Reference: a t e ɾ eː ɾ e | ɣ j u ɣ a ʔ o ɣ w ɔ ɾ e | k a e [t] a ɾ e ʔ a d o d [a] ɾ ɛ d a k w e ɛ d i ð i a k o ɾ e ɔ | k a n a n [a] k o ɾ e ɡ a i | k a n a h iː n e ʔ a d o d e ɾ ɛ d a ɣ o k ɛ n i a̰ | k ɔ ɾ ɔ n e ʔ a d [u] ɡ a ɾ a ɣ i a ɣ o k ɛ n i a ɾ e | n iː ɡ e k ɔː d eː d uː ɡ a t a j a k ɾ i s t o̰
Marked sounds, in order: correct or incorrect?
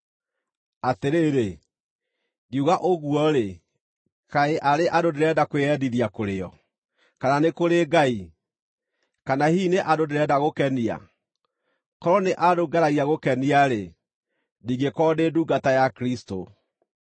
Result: incorrect: ʔ, incorrect: e, incorrect: e, incorrect: o

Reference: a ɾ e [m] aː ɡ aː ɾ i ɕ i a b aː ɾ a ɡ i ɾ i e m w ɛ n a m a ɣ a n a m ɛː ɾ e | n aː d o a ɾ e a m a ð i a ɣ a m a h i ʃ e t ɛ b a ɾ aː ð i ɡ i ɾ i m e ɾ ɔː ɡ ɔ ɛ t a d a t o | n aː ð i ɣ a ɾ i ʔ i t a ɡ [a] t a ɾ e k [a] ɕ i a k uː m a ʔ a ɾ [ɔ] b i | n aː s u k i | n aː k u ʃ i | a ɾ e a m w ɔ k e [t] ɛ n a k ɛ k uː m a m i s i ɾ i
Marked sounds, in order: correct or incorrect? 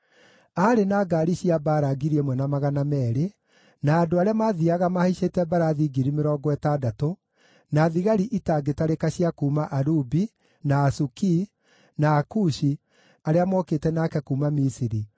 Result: incorrect: n, incorrect: e, correct, incorrect: u, correct

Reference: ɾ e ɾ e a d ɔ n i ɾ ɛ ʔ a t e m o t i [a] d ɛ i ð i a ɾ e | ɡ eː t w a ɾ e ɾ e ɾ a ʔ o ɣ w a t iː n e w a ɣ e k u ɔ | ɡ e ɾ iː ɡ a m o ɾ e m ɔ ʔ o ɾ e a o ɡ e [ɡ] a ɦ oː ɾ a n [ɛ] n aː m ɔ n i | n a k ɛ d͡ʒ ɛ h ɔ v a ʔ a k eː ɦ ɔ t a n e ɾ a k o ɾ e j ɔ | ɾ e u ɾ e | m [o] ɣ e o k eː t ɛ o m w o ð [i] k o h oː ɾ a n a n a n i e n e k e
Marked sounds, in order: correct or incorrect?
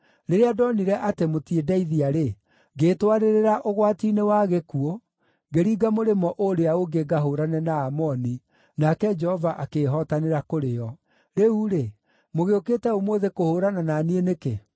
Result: incorrect: e, correct, correct, correct, incorrect: e

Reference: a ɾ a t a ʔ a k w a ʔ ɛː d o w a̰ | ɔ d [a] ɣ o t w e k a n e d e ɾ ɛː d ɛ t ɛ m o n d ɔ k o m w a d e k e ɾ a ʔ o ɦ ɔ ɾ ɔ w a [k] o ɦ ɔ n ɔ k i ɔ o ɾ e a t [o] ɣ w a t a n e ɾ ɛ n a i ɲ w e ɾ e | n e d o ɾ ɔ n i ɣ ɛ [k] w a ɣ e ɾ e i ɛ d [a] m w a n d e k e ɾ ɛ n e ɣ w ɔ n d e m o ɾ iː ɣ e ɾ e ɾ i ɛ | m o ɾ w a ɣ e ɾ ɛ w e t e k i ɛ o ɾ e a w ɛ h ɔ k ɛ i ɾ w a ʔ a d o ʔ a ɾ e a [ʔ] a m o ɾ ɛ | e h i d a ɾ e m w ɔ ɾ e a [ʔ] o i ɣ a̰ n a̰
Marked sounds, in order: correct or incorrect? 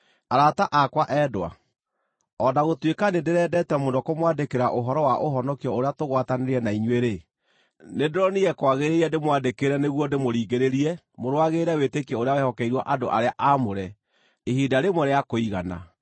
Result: correct, incorrect: ʔ, correct, correct, incorrect: e, correct, incorrect: k

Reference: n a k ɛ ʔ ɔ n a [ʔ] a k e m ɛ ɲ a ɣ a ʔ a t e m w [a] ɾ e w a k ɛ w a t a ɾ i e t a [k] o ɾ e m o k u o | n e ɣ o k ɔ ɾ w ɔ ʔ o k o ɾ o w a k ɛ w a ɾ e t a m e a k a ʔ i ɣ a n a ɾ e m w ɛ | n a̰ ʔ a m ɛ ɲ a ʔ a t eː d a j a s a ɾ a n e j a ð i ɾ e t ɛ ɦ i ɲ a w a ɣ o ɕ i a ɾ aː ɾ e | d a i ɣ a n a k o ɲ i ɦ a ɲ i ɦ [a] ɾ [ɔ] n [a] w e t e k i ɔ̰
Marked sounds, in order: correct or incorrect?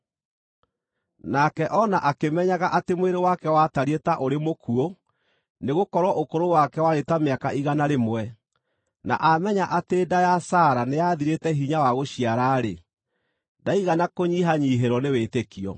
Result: correct, incorrect: e, incorrect: ʔ, incorrect: e, correct, incorrect: e

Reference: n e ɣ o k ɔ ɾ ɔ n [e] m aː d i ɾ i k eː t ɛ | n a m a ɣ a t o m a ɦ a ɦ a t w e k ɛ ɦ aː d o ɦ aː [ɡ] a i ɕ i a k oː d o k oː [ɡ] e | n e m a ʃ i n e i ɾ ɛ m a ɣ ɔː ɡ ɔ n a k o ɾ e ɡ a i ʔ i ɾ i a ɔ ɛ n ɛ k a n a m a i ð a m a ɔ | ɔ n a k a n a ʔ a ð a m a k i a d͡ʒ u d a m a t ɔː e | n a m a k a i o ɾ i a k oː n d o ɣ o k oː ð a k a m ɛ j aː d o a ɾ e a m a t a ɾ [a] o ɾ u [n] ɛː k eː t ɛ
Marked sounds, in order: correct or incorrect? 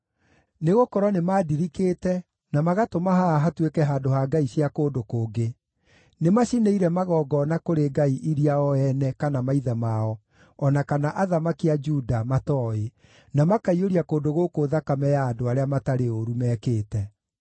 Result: correct, correct, correct, incorrect: e, incorrect: m

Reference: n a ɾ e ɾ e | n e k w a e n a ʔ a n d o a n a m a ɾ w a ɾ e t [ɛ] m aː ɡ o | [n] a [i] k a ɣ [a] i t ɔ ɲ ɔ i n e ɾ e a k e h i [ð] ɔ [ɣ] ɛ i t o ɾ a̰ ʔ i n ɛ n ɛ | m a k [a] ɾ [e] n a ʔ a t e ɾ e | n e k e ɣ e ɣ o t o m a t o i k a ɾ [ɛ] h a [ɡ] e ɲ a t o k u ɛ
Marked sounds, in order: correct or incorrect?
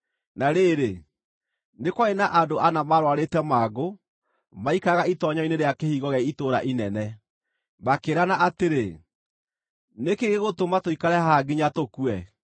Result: correct, incorrect: m, correct, correct, incorrect: ɣ, correct, incorrect: e, incorrect: a, correct, correct

